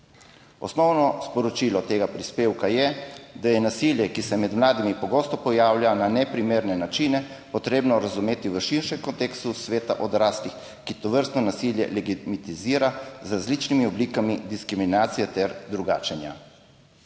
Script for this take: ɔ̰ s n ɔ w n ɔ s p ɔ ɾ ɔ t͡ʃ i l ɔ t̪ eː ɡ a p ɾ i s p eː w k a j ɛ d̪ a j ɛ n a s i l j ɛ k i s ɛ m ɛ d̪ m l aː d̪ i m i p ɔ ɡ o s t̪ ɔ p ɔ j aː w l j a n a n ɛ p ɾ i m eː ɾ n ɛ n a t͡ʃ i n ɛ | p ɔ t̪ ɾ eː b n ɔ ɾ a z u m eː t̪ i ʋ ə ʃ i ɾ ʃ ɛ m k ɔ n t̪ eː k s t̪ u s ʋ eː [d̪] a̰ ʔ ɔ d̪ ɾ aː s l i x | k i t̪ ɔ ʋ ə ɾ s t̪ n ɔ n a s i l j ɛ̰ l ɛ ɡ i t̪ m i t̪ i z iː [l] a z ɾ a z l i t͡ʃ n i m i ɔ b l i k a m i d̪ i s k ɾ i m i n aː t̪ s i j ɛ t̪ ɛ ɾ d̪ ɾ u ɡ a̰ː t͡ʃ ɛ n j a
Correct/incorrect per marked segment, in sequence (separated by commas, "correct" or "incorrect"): incorrect, incorrect